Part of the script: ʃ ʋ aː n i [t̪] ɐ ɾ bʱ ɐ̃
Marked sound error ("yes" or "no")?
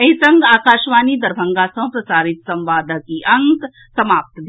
yes